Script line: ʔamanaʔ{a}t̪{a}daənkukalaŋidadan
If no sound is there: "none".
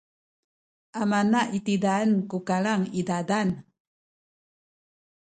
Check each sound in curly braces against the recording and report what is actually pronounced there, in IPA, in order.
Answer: i, i

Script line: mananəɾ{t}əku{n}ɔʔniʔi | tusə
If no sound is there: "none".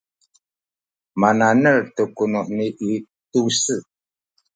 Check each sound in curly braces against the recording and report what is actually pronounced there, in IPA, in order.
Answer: t, n

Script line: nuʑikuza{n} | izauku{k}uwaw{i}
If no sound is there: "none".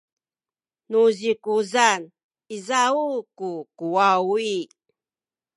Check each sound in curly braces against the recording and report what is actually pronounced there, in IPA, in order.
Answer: n, k, i

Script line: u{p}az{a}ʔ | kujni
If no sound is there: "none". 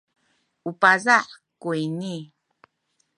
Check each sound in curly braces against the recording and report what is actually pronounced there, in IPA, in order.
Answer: p, a

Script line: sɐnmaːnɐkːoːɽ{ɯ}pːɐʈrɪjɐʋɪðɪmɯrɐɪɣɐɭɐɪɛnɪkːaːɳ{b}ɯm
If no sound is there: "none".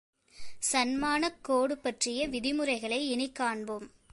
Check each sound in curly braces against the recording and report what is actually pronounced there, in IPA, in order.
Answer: ɯ, b

